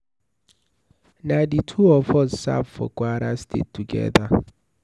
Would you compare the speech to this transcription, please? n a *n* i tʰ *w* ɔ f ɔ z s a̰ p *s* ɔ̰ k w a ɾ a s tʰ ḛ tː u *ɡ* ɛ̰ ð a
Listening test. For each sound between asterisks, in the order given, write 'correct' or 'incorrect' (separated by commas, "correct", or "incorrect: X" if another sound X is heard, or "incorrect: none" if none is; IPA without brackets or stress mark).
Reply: incorrect: d, incorrect: u, incorrect: f, correct